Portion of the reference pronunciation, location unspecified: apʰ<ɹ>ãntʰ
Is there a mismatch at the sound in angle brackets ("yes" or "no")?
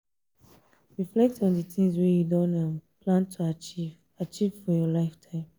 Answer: yes